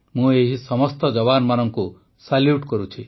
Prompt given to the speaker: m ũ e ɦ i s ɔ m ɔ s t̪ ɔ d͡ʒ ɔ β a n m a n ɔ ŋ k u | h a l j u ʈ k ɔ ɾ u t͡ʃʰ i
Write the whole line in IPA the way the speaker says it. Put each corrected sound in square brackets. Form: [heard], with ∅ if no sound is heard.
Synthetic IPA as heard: m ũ e ɦ i s ɔ m ɔ s t̪ ɔ d͡ʒ ɔ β a n m a n ɔ ŋ k u | [s] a l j u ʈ k ɔ ɾ u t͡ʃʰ i

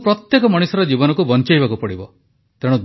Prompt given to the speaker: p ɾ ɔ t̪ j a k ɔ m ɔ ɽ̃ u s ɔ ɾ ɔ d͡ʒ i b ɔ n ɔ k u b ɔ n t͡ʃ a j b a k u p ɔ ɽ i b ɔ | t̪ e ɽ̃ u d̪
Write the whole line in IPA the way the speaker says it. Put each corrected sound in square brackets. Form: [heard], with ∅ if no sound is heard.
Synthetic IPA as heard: p ɾ ɔ t̪ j [e] k ɔ m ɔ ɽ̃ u s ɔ ɾ ɔ d͡ʒ i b ɔ n ɔ k u b ɔ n t͡ʃ a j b a k u p ɔ ɽ i b ɔ | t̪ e ɽ̃ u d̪

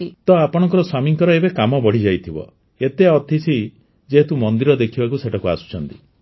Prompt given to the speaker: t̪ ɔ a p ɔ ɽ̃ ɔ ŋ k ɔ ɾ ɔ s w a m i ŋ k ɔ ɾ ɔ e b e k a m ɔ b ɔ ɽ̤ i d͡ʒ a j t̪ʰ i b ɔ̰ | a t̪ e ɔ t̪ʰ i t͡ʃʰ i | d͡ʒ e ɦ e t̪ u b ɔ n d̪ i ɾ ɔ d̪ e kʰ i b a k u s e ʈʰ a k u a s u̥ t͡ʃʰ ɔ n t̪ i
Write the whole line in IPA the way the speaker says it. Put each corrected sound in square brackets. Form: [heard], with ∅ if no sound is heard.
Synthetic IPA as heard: t̪ ɔ a p ɔ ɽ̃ ɔ ŋ k ɔ ɾ ɔ s w a m i ŋ k ɔ ɾ ɔ e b e k a m ɔ b ɔ ɽ̤ i d͡ʒ a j t̪ʰ i b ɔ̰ | [e] t̪ e ɔ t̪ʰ i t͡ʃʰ i | d͡ʒ e ɦ e t̪ u [m] ɔ n d̪ i ɾ ɔ d̪ e kʰ i b a k u s e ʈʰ a k u a s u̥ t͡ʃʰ ɔ n t̪ i

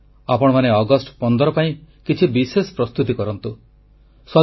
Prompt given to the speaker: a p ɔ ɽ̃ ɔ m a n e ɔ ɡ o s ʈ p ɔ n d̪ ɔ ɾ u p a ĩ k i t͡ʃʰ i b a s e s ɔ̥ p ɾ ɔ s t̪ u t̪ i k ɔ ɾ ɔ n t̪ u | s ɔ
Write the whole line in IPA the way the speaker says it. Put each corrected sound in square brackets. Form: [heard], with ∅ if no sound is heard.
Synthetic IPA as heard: a p ɔ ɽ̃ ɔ m a n e ɔ ɡ [ɔ] s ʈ p ɔ n d̪ ɔ ɾ [ɔ] p a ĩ k i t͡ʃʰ i b [i] s e s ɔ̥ p ɾ ɔ s t̪ u t̪ i k ɔ ɾ ɔ n t̪ u | s ɔ

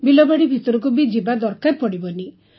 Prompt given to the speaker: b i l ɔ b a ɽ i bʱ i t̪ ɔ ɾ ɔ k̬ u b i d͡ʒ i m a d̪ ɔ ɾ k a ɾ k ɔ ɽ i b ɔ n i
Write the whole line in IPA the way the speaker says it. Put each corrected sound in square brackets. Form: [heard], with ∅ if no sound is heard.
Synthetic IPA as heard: b i l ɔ b a ɽ i bʱ i t̪ ɔ ɾ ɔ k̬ u b i d͡ʒ i [b] a d̪ ɔ ɾ k a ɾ [p] ɔ ɽ i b ɔ n i

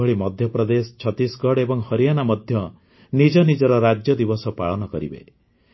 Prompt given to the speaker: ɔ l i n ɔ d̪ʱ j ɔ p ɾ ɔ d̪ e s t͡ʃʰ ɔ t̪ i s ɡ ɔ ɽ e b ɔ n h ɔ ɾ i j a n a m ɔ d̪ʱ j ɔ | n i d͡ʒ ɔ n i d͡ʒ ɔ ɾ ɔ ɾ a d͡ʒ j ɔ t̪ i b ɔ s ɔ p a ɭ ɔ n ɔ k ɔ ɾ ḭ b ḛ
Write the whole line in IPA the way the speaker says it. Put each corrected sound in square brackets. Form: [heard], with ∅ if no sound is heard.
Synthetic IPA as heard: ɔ [ɭ] i [m] ɔ d̪ʱ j ɔ p ɾ ɔ d̪ e s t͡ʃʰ ɔ t̪ i s ɡ ɔ ɽ e b ɔ [ŋ] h ɔ ɾ i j a n a m ɔ d̪ʱ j ɔ | n i d͡ʒ ɔ n i d͡ʒ ɔ ɾ ɔ ɾ a d͡ʒ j ɔ [d̪] i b ɔ s ɔ p a ɭ ɔ n ɔ k ɔ ɾ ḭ b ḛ

